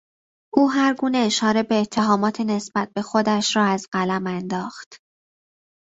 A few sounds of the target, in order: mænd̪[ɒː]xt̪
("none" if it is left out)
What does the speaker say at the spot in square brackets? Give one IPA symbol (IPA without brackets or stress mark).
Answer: ɒː